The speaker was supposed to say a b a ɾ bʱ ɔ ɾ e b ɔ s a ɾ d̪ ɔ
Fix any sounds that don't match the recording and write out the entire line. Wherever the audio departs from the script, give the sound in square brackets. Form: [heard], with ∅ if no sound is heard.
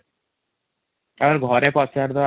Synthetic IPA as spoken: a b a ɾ [ɡʱ] ɔ ɾ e [p] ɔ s a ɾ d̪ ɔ